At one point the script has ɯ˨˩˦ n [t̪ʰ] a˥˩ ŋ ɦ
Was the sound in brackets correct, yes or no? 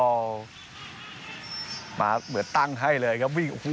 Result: no